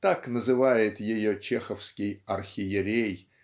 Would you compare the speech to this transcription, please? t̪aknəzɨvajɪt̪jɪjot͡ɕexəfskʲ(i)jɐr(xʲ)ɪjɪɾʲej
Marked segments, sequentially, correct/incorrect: incorrect: ɪ, correct

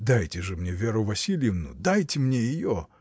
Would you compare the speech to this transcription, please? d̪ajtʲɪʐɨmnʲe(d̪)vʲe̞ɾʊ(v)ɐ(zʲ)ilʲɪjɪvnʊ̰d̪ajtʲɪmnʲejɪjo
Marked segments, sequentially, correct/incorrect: incorrect: none, correct, incorrect: sʲ

